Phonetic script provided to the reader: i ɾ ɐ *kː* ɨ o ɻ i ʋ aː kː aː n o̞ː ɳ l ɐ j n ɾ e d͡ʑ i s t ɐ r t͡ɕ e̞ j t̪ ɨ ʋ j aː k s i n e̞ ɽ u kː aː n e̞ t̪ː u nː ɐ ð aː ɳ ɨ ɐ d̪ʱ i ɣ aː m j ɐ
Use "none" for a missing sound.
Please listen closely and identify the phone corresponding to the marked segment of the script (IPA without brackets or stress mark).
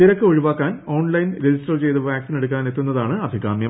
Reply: kː